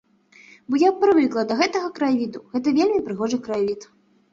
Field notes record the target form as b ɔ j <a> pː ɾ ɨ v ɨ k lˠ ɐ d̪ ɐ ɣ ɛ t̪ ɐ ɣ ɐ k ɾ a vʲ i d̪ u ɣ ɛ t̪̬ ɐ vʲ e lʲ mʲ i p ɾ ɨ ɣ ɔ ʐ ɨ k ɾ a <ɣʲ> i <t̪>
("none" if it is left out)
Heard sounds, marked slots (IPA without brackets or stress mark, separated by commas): a, vʲ, t̪